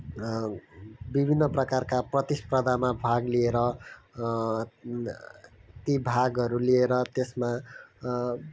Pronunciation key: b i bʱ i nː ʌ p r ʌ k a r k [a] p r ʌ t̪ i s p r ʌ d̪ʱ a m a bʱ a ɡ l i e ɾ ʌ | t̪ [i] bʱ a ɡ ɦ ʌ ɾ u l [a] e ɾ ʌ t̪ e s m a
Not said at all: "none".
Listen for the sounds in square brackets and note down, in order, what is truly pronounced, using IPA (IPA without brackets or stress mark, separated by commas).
a, i, i